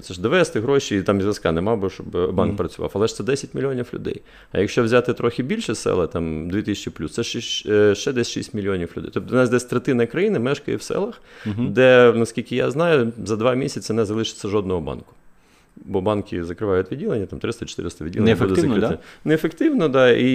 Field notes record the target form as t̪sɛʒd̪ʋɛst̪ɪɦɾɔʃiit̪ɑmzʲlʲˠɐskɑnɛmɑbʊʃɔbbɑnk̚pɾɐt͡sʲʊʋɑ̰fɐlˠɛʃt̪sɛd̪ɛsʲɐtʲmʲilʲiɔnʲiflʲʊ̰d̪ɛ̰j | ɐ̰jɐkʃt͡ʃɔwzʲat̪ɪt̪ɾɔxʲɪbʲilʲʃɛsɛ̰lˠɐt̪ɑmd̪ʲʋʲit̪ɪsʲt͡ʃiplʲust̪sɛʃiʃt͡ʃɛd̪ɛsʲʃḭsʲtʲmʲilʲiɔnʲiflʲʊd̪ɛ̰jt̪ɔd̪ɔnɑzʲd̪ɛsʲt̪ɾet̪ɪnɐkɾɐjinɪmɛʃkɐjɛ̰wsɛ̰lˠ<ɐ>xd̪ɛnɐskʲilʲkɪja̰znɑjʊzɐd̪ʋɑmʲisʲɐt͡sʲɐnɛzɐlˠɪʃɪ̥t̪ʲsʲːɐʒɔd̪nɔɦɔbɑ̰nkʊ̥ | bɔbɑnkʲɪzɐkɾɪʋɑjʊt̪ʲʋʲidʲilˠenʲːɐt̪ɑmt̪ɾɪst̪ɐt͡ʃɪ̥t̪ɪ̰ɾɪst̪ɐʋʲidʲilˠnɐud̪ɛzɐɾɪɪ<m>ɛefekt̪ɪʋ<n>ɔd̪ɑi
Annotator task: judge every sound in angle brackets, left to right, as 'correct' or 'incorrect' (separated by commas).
correct, incorrect, correct